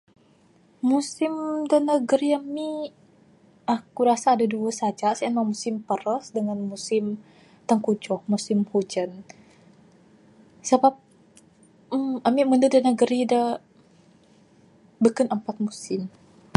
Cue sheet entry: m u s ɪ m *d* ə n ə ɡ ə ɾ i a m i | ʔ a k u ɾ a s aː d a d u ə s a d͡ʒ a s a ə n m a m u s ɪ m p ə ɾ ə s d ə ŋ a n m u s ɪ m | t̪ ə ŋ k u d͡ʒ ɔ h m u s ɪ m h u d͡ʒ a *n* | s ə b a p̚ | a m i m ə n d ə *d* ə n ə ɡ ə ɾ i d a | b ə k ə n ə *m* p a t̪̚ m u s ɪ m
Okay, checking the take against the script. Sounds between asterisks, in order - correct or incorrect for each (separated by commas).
correct, correct, correct, correct